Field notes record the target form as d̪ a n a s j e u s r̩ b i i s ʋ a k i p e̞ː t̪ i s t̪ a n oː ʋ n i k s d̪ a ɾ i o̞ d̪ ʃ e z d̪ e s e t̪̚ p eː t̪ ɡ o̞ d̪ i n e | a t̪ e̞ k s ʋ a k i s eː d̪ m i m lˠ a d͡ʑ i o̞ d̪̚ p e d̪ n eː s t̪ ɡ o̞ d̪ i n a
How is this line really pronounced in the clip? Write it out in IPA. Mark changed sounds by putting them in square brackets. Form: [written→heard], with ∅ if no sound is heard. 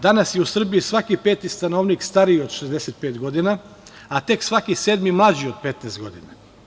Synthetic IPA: d̪ a n a s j e u s r̩ b i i s ʋ a k i p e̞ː t̪ i s t̪ a n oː ʋ n i k s [d̪→t̪] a ɾ i o̞ d̪ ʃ e z d̪ e s e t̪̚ p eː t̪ ɡ o̞ d̪ i n [e→a] | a t̪ e̞ k s ʋ a k i s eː d̪ m i m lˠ a d͡ʑ i o̞ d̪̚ p e [d̪→t̪] n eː s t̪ ɡ o̞ d̪ i n a